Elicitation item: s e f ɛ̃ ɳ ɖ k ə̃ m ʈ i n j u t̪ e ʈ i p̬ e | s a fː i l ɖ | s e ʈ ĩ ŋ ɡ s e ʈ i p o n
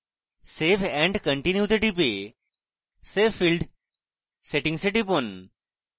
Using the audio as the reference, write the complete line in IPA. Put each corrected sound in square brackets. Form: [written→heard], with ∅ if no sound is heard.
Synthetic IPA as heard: s e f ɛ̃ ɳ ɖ k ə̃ [m→ɳ] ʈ i n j u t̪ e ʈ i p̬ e | s [a→e] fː i l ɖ | s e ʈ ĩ ŋ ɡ s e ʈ i p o n